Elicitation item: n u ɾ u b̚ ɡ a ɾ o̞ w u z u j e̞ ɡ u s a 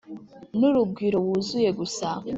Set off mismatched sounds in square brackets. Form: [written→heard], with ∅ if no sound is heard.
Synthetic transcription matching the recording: n u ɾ u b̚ ɡ [a→i] ɾ o̞ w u z u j e̞ ɡ u s a